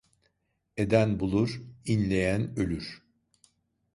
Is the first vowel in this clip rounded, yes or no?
no